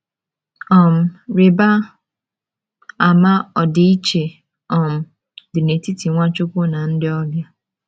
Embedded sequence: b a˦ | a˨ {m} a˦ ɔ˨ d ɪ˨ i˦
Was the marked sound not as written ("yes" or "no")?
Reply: no